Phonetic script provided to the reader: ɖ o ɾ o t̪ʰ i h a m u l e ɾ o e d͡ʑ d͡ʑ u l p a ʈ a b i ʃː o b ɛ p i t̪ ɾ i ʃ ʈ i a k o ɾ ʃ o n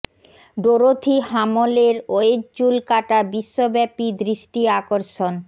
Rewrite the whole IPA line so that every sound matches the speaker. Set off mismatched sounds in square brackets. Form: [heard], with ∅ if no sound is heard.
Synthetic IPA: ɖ o ɾ o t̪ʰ i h a m [o] l e ɾ o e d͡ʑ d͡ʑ u l [k] a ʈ a b i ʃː o b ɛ p i [d̪] ɾ i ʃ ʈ i a k o ɾ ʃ o n